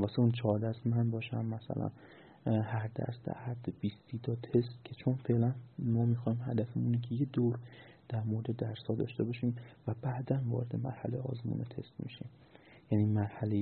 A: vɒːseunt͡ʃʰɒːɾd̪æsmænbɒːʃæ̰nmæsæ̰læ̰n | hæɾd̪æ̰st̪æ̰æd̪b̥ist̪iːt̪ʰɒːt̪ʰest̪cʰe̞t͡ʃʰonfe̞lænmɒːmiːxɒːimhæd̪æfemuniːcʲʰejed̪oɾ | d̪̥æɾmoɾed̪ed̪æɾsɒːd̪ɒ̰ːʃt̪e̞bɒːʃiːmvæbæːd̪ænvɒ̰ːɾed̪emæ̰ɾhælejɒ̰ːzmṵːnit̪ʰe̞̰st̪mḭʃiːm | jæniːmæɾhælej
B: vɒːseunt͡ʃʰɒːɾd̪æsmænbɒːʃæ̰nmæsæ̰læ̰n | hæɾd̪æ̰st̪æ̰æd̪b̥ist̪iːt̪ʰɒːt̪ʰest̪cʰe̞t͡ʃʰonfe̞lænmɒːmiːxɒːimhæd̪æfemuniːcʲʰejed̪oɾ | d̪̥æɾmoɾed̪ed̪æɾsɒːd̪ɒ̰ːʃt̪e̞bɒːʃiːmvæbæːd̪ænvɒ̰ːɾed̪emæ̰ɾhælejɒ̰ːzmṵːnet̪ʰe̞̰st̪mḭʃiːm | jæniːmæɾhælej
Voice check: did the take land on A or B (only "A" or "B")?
B